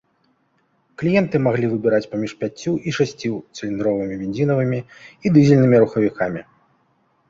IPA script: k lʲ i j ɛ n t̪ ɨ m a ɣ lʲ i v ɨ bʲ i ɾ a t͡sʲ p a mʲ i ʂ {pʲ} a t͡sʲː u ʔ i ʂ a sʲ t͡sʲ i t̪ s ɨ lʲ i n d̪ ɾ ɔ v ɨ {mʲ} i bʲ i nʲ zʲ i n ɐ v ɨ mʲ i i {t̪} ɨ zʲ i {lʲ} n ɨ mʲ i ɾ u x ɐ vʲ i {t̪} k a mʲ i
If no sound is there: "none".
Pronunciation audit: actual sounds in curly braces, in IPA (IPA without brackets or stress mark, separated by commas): pʲ, mʲ, d̪, lʲ, none